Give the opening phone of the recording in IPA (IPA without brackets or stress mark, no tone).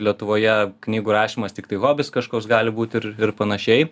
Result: lʲ